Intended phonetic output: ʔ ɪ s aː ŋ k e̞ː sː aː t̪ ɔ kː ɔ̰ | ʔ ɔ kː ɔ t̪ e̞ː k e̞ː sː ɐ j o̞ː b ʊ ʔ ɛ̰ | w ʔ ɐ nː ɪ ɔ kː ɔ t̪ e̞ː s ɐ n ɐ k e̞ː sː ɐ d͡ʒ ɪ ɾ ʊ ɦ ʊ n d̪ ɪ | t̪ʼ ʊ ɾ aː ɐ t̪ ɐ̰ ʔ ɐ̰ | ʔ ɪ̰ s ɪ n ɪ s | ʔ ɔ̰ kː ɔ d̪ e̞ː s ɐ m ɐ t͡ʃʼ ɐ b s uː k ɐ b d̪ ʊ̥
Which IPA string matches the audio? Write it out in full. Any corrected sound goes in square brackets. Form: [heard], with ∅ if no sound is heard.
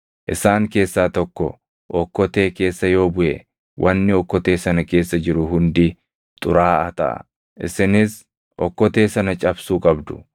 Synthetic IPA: ʔ ɪ s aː ŋ k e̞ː sː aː t̪ ɔ kː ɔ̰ | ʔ ɔ kː ɔ t̪ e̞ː k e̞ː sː ɐ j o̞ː b ʊ ʔ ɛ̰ | w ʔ ɐ nː ɪ ɔ kː ɔ t̪ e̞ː s ɐ n ɐ k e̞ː sː ɐ d͡ʒ ɪ ɾ ʊ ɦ ʊ n d̪ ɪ | t̪ʼ ʊ ɾ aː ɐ t̪ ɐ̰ ʔ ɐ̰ | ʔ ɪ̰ s ɪ n ɪ s | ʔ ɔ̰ kː ɔ [t̪] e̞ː s ɐ [n] ɐ t͡ʃʼ ɐ b s uː [kʼ] ɐ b d̪ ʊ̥